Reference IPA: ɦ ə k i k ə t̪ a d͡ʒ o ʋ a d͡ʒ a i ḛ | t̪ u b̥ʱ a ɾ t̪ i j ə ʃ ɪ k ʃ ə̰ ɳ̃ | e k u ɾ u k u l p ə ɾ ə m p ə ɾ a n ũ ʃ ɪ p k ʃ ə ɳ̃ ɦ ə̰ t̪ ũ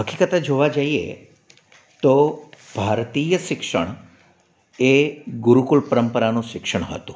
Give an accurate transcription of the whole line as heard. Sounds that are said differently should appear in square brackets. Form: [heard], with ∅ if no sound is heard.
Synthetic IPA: ɦ ə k i k ə t̪ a d͡ʒ o ʋ a d͡ʒ a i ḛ | t̪ [o] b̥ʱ a ɾ t̪ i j ə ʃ ɪ k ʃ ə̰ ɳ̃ | e [ɡ] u ɾ u k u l p ə ɾ ə m p ə ɾ a n ũ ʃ ɪ [∅] k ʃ ə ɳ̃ ɦ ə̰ t̪ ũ